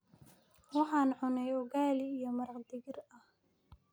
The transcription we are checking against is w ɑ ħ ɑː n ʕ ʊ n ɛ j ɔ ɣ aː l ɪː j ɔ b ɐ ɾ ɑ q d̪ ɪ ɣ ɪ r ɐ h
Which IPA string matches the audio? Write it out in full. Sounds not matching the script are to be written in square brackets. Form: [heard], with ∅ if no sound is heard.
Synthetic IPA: w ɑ ħ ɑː n ʕ ʊ n ɛ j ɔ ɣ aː l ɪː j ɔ [m] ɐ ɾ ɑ q d̪ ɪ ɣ ɪ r ɐ h